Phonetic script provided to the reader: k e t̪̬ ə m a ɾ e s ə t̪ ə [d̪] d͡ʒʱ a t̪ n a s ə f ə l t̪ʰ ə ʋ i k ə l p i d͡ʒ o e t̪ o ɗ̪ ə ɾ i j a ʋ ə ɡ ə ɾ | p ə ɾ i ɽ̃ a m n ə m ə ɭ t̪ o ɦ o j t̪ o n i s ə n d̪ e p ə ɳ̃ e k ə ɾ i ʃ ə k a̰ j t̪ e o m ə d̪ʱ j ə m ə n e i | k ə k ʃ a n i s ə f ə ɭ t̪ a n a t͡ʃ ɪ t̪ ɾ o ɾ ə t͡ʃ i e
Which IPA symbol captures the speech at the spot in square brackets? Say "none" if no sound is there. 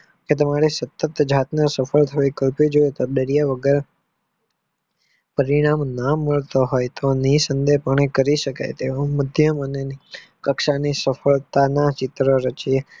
t̪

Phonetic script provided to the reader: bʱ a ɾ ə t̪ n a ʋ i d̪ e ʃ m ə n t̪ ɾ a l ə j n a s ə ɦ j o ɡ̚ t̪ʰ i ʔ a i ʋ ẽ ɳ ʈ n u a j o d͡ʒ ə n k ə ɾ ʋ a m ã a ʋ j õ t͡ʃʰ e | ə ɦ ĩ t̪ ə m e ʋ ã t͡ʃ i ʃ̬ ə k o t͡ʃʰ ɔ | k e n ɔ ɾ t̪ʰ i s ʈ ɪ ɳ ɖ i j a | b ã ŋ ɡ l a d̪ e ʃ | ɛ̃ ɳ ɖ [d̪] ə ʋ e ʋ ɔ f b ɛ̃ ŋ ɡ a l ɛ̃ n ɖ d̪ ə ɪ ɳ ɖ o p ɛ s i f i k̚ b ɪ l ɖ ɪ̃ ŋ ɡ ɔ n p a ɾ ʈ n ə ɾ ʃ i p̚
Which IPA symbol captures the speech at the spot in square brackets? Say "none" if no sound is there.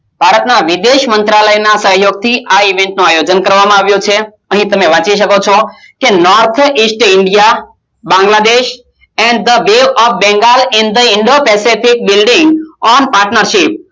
d̪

